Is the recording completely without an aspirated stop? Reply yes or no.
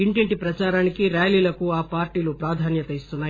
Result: yes